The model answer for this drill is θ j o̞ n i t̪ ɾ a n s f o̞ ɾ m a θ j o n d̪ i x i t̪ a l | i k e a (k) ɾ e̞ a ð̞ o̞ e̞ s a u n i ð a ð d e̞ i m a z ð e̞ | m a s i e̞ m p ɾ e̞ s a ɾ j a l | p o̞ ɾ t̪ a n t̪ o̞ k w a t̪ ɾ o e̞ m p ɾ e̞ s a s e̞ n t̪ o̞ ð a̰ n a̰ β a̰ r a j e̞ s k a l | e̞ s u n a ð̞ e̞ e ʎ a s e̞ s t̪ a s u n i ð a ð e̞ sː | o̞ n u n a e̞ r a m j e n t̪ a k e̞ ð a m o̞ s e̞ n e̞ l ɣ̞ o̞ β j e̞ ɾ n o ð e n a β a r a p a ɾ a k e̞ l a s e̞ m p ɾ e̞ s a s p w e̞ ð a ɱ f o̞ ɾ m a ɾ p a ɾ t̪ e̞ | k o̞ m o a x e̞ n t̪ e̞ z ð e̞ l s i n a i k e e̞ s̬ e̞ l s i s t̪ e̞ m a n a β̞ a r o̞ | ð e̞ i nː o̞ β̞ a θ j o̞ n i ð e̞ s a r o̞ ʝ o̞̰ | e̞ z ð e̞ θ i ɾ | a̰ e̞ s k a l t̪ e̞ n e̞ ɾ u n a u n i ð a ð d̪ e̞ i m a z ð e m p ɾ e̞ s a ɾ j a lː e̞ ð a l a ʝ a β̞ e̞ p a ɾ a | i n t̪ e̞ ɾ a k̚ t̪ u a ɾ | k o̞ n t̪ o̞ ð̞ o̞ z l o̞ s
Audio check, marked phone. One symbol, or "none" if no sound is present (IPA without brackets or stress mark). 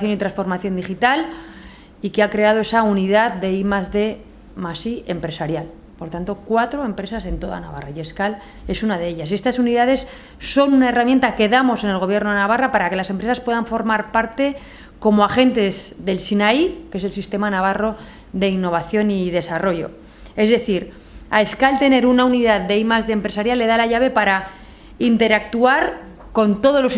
k